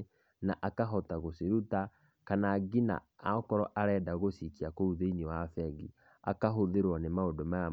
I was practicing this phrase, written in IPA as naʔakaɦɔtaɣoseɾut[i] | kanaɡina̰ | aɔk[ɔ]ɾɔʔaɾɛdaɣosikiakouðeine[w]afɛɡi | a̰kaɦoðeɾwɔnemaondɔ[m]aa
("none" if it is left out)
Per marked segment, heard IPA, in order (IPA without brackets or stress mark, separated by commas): a, ɔ, w, m